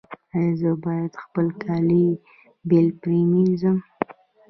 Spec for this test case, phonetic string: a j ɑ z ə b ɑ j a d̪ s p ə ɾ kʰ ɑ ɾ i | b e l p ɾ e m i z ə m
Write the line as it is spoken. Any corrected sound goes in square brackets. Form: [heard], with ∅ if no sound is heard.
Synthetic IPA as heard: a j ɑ z ə b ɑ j a d̪ [x] p ə [l] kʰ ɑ [l] i | b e l p ɾ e m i z ə m